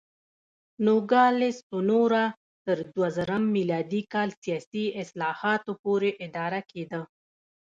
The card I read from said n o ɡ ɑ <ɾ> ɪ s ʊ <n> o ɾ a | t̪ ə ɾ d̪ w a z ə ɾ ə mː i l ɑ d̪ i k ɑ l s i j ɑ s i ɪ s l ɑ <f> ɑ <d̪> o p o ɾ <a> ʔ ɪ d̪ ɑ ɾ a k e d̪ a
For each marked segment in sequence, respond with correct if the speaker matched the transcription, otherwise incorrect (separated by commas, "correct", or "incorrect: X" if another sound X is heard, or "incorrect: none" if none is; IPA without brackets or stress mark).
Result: incorrect: l, correct, incorrect: h, incorrect: t̪, incorrect: e